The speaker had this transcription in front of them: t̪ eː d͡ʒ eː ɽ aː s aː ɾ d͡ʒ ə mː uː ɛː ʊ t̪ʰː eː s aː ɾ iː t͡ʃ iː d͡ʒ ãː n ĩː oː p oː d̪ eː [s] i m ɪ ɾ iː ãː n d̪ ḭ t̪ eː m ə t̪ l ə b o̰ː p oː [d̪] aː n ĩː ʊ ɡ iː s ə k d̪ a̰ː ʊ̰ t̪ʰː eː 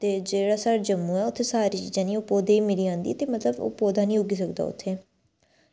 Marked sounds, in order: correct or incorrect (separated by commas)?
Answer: incorrect, correct